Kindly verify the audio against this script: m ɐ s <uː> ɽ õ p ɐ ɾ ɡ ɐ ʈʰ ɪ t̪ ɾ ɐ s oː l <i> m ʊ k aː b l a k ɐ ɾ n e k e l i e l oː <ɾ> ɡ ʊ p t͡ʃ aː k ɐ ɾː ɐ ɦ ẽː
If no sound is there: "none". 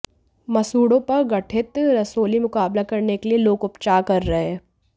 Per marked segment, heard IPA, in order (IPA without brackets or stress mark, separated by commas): uː, i, none